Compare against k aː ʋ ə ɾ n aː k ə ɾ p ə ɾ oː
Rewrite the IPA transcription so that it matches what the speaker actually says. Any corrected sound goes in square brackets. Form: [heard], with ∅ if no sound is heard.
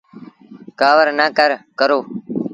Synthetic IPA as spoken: k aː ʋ ə ɾ n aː k ə ɾ [k] ə ɾ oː